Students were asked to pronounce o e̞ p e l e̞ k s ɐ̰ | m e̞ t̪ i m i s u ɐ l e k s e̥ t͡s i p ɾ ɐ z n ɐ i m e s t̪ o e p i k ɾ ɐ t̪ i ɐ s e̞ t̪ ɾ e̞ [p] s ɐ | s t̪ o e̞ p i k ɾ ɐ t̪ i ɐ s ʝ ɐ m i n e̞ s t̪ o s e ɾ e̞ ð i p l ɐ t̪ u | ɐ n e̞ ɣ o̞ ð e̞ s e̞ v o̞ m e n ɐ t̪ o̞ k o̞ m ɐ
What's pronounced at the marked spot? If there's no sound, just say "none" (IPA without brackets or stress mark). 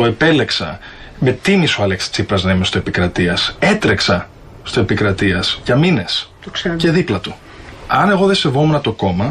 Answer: k